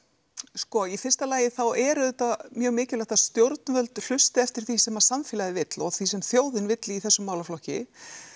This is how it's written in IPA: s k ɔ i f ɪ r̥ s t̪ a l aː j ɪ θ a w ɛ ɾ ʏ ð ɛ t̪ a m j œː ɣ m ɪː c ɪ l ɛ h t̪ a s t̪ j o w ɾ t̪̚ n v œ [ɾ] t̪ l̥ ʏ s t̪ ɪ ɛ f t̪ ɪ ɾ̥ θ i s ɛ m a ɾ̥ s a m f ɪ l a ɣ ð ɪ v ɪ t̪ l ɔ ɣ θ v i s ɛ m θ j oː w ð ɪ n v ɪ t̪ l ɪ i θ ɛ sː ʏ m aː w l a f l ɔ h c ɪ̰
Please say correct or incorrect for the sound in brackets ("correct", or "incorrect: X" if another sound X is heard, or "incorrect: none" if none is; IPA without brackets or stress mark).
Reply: incorrect: l